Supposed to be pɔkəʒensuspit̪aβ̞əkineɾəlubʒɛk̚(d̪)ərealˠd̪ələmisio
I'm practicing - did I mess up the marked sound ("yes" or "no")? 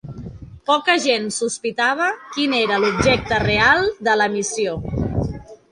yes